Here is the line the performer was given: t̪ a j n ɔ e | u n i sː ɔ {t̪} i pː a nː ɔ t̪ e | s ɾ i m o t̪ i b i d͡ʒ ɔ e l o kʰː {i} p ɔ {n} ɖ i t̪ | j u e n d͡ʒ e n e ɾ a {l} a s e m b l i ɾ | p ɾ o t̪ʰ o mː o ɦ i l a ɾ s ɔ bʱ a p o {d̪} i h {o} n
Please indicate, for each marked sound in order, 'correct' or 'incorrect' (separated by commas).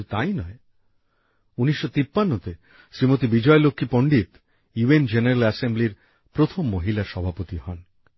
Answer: correct, correct, incorrect, correct, incorrect, incorrect